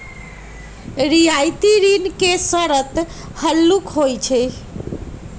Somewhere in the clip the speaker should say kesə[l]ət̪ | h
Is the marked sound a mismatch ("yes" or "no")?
yes